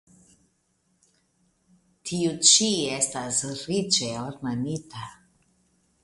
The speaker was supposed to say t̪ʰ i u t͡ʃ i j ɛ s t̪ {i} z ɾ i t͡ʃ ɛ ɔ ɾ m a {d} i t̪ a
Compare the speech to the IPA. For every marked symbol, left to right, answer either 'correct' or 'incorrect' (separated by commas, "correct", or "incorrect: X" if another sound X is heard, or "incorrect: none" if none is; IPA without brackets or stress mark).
incorrect: a, incorrect: n